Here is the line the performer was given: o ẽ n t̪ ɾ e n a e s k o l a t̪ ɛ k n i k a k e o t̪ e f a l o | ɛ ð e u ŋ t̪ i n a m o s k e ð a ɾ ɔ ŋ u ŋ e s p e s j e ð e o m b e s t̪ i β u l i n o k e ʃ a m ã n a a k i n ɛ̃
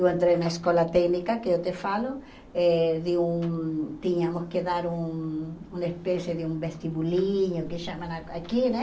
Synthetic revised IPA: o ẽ n t̪ ɾ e n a e s k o l a t̪ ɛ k n i k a k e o t̪ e f a l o | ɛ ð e u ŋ t̪ i ɲ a m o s k e ð a ɾ u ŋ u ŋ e s p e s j e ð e u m b e s t̪ i β u l i ɲ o k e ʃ a m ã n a a k i n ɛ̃

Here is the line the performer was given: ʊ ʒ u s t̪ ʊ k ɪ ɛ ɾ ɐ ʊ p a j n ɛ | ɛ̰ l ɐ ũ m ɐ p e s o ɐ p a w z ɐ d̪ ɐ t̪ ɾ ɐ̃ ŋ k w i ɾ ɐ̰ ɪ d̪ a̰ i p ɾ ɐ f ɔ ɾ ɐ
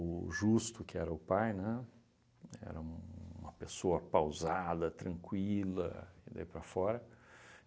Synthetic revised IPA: ʊ ʒ u s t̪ ʊ k ɪ ɛ ɾ ɐ ʊ p a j n ɛ | ɛ̰ ɾ ɐ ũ m ɐ p e s o ɐ p a w z a d̪ ɐ t̪ ɾ ɐ̃ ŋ k w i l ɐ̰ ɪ d̪ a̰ i p ɾ ɐ f ɔ ɾ ɐ

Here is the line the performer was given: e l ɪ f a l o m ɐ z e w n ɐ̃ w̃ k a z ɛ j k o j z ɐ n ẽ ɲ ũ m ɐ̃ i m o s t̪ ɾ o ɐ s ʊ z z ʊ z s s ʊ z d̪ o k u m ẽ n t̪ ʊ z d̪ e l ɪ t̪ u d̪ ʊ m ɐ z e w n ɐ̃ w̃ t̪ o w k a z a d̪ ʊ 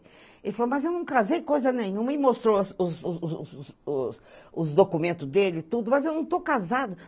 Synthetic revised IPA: e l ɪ f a l o m ɐ z e w n ɐ̃ w̃ k a z e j k o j z ɐ n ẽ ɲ ũ m ɐ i m o s t̪ ɾ o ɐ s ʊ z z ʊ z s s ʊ z d̪ o k u m ẽ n t̪ ʊ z d̪ e l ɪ t̪ u d̪ ʊ m ɐ z e w n ɐ̃ w̃ t̪ o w k a z a d̪ ʊ

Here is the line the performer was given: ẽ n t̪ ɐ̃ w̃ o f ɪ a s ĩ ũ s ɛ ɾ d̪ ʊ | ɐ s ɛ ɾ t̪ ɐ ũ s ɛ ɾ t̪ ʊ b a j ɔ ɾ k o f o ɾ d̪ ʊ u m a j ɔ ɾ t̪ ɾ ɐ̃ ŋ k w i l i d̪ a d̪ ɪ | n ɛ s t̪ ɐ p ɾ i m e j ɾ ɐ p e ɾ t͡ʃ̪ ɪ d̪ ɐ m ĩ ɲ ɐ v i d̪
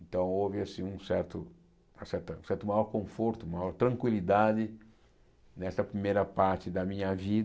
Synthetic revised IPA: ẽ n t̪ ɐ̃ w̃ o v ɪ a s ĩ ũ s ɛ ɾ t̪ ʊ | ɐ s ɛ ɾ t̪ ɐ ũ s ɛ ɾ t̪ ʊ m a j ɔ ɾ k õ f o ɾ t̪ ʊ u m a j ɔ ɾ t̪ ɾ ɐ̃ ŋ k w i l i d̪ a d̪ ɪ | n ɛ s t̪ ɐ p ɾ i m e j ɾ ɐ p a ɾ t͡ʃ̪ ɪ d̪ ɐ m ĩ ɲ ɐ v i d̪

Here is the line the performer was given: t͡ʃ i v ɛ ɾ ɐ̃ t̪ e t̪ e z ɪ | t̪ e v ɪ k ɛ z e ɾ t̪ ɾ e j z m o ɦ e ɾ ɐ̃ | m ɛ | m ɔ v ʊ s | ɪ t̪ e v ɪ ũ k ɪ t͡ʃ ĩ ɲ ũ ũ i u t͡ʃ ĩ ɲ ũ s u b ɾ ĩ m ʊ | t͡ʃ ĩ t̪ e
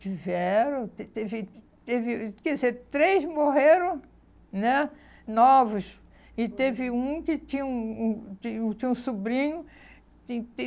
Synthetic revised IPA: t͡ʃ i v ɛ ɾ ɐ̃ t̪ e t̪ e v ɪ | t̪ e v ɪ k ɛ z e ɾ t̪ ɾ e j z m o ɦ e ɾ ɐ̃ | n ɛ | n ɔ v ʊ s | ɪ t̪ e v ɪ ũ k ɪ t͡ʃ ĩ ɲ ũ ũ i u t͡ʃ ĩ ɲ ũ s u b ɾ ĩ ɲ ʊ | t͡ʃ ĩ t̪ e

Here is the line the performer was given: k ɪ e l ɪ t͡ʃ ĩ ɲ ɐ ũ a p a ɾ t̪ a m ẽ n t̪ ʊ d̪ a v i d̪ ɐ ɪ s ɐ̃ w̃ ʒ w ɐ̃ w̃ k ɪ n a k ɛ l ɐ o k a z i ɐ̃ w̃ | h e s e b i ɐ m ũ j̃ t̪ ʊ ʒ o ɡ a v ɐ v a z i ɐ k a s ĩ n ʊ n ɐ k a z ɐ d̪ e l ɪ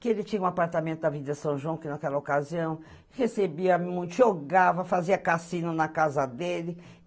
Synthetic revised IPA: k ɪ e l ɪ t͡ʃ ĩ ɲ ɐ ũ a p a ɾ t̪ a m ẽ n t̪ ʊ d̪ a v i d̪ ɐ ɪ s ɐ̃ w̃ ʒ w ɐ̃ w̃ k ɪ n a k ɛ l ɐ o k a z i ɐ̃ w̃ | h e s e b i ɐ m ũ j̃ t̪ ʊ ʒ o ɡ a v ɐ f a z i ɐ k a s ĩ n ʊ n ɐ k a z ɐ d̪ e l ɪ

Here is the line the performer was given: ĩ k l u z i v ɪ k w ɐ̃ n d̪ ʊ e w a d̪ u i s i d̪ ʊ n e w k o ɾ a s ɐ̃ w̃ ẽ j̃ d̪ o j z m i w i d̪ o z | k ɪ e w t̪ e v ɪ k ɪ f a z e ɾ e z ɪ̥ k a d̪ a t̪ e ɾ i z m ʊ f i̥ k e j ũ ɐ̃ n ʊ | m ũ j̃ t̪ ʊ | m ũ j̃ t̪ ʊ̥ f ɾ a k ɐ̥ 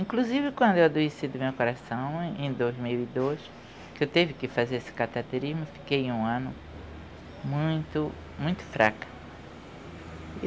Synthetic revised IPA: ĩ k l u z i v ɪ k w ɐ̃ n d̪ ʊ e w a d̪ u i s i d̪ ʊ m e w k o ɾ a s ɐ̃ w̃ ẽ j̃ d̪ o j z m i w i d̪ o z | k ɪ e w t̪ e v ɪ k ɪ f a z e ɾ e s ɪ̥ k a t̪ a t̪ e ɾ i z m ʊ f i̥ k e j ũ ɐ̃ n ʊ | m ũ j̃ t̪ ʊ | m ũ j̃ t̪ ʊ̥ f ɾ a k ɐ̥

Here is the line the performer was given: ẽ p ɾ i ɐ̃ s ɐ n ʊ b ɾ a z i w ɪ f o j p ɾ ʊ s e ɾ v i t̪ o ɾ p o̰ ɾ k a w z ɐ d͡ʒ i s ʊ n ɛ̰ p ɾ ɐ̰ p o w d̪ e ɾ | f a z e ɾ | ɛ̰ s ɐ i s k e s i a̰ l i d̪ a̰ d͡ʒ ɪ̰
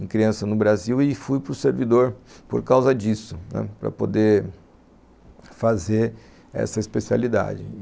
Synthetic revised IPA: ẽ k ɾ i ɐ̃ s ɐ n ʊ b ɾ a z i w ɪ f u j p ɾ ʊ s e ɾ v i d̪ o ɾ p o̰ ɾ k a w z ɐ d͡ʒ i s ʊ n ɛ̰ p ɾ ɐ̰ p o d̪ e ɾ | f a z e ɾ | ɛ̰ s ɐ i s p e s i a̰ l i d̪ a̰ d͡ʒ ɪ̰

